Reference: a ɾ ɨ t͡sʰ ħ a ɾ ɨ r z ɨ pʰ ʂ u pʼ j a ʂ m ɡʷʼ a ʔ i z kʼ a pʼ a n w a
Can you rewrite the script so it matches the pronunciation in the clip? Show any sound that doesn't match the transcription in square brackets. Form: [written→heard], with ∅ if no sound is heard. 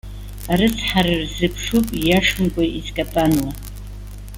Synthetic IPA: a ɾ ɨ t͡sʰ ħ a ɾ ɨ r z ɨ pʰ ʂ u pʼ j a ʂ m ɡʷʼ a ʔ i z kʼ a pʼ a n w a